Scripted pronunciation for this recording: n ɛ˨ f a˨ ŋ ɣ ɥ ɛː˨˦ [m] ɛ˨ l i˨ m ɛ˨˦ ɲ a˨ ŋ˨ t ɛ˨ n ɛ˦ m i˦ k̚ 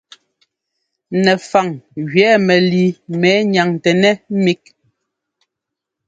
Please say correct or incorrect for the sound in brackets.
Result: correct